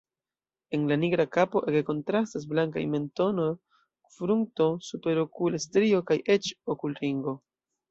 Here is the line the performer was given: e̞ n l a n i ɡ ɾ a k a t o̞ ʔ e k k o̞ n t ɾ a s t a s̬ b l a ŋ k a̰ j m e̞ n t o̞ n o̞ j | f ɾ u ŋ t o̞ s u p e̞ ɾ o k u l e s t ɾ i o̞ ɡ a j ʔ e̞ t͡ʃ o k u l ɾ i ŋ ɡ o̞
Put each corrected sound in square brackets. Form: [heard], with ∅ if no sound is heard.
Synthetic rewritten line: e̞ n l a n i ɡ ɾ a k a [p] o̞ ʔ e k k o̞ n t ɾ a s t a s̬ b l a ŋ k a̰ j m e̞ n t o̞ n o̞ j | f ɾ u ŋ t o̞ s u p e̞ ɾ o k u l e s t ɾ i o̞ [k] a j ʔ e̞ t͡ʃ o k u l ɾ i ŋ ɡ o̞